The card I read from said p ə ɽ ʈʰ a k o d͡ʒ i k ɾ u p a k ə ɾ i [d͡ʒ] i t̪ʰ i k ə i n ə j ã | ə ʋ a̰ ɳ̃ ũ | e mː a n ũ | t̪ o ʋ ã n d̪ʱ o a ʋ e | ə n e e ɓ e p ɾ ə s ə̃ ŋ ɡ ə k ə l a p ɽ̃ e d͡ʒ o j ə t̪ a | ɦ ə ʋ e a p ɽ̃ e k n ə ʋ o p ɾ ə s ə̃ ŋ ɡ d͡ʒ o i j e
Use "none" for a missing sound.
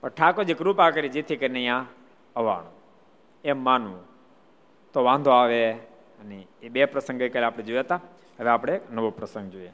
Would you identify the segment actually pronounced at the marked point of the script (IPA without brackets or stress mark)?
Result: d͡ʒ